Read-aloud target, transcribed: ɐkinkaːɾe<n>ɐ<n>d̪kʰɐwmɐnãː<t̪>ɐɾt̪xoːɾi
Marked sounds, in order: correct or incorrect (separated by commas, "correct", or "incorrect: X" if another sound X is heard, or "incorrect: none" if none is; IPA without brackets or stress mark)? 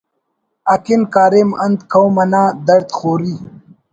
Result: incorrect: m, correct, incorrect: d̪